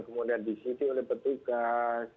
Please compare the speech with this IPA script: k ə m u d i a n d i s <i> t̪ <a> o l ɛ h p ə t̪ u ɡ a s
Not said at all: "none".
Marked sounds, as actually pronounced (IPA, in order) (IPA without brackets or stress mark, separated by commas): i, i